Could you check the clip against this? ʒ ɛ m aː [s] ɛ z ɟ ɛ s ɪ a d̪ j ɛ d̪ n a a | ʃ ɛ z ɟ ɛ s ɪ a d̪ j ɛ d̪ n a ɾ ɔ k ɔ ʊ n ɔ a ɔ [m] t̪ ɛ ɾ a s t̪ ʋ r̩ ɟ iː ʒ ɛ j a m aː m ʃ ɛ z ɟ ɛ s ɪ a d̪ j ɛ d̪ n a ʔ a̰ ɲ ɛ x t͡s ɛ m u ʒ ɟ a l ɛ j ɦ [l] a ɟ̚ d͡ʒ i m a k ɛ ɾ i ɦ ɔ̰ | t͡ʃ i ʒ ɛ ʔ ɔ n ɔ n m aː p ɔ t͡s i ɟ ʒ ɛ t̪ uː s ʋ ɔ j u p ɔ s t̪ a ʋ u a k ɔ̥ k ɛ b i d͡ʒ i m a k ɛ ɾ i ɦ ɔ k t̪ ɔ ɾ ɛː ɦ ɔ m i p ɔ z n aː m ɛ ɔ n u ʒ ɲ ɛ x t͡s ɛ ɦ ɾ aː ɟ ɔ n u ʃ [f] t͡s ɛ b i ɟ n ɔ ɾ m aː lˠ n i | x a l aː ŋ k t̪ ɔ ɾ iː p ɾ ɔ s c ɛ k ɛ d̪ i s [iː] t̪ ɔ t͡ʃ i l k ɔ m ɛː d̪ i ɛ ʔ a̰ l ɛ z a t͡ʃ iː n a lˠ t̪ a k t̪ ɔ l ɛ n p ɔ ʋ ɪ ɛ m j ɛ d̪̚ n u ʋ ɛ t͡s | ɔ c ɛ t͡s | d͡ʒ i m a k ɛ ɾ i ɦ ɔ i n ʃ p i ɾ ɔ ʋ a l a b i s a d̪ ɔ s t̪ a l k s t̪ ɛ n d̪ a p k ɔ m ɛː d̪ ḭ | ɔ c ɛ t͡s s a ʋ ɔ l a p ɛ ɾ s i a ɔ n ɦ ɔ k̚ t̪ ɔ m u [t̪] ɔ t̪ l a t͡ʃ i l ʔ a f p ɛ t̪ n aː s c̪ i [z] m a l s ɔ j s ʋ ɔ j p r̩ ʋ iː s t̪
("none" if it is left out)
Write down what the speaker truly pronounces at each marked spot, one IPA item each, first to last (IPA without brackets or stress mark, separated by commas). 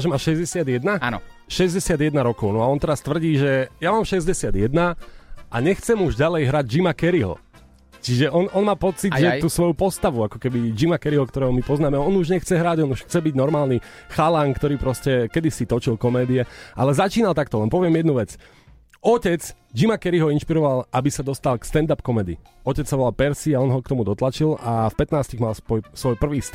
ʃ, n, ɾ, x, i, d̪, ɣ